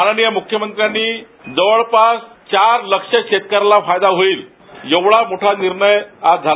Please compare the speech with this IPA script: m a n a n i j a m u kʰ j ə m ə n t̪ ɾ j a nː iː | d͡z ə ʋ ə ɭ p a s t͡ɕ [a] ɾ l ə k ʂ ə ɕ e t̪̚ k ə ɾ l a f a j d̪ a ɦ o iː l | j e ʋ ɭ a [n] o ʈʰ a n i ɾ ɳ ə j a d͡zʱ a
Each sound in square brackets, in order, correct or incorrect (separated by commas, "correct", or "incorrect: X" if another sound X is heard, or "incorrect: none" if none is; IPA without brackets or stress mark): correct, incorrect: m